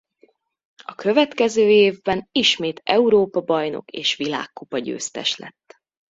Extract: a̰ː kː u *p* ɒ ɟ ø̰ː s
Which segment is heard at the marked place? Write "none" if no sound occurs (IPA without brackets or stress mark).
p